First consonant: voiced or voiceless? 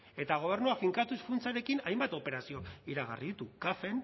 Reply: voiceless